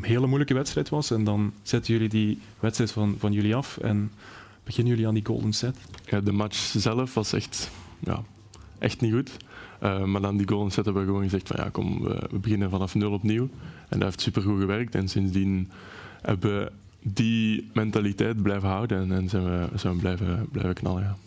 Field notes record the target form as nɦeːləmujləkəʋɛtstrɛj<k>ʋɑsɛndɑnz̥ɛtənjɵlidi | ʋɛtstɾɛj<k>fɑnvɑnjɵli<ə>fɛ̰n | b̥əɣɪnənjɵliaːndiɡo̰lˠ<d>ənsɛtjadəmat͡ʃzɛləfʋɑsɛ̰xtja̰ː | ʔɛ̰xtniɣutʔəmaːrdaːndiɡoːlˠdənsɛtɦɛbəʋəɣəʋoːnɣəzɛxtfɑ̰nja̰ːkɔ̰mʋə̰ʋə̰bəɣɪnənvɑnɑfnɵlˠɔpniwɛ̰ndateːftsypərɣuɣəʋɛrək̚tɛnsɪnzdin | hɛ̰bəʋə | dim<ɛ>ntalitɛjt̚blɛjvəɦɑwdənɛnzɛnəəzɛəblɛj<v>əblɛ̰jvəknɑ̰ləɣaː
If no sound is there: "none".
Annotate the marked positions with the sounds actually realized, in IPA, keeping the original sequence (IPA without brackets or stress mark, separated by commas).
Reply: t, t, ɑ, d, ɛ, v